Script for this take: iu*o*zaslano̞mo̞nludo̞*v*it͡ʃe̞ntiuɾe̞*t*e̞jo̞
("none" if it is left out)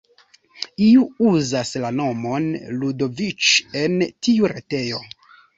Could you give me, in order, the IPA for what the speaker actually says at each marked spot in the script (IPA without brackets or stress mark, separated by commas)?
u, v, t